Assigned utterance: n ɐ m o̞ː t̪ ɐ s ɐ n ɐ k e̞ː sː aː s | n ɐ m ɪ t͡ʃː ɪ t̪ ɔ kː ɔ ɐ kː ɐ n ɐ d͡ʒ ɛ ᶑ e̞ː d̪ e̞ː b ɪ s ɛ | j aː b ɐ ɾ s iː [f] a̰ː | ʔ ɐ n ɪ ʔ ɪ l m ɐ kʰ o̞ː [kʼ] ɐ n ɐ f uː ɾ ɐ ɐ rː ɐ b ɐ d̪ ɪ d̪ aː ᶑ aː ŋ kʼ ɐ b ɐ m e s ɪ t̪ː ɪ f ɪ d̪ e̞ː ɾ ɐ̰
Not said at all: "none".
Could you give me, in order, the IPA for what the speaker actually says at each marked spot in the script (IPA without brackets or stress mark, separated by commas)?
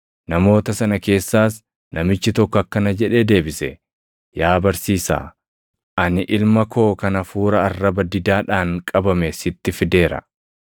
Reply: s, k